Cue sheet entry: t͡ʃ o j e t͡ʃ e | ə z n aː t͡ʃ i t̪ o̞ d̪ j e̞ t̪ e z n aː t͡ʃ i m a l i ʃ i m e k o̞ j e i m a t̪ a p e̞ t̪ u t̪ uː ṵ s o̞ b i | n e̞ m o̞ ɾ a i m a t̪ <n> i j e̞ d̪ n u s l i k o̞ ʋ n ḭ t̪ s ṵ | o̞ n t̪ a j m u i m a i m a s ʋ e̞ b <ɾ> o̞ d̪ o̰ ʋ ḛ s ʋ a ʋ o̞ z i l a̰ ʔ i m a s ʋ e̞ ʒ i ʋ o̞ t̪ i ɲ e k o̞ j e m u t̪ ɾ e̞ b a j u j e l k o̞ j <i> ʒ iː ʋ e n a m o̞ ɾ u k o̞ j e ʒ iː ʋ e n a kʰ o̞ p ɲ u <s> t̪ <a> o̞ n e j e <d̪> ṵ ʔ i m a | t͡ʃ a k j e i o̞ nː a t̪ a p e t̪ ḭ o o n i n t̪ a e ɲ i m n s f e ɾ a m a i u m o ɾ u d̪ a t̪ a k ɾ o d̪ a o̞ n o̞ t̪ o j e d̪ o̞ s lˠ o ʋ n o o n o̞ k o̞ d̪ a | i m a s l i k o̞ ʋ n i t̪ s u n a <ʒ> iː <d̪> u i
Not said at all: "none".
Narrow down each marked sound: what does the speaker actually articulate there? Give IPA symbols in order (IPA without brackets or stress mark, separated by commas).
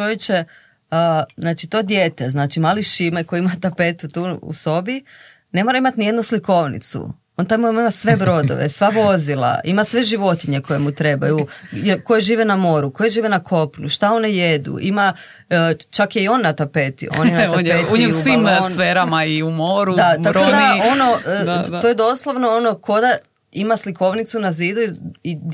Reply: n, ɾ, e, ʃ, a, d̪, z, d̪